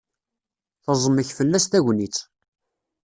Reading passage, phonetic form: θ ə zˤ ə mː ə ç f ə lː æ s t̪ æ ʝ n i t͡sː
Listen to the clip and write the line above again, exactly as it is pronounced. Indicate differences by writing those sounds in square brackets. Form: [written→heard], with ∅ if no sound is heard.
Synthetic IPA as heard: θ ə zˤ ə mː ə ç f ə lː æ s t̪ æ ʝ n i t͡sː